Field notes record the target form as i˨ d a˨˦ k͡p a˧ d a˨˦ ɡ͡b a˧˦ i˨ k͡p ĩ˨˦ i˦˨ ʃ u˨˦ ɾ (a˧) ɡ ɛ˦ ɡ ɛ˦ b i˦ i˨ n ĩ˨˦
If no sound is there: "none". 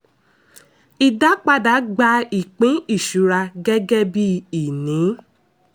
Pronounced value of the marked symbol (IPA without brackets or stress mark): a˧